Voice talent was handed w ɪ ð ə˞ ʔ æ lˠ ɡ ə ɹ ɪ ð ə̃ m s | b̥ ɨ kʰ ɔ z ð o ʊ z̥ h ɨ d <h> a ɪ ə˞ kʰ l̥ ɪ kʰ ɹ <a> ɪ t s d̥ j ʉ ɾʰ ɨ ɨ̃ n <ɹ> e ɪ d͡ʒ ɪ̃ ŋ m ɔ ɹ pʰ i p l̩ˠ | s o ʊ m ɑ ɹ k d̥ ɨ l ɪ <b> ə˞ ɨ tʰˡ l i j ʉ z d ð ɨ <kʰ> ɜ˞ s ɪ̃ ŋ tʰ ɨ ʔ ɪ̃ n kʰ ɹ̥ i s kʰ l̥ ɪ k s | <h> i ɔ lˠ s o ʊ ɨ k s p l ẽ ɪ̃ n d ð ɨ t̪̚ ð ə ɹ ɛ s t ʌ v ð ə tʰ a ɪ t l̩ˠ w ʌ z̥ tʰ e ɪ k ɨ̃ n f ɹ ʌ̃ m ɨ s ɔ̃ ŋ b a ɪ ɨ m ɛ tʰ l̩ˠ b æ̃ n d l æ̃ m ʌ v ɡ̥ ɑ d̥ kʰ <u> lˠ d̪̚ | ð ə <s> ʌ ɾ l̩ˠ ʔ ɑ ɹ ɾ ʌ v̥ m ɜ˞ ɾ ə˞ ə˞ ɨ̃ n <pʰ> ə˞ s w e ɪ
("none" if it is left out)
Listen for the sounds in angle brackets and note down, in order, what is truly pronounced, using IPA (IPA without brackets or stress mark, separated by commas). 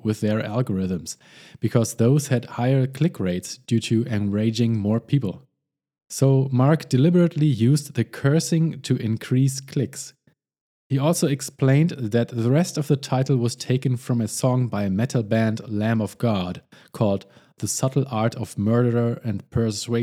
h, e, ɹ, b, kʰ, h, ɔ, s, pʰ